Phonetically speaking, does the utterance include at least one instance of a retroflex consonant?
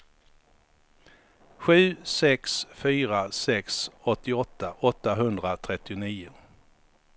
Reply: no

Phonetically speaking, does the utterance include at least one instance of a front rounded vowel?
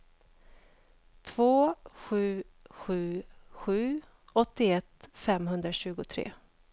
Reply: no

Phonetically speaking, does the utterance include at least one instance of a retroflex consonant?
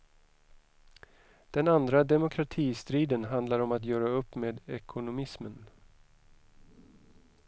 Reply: no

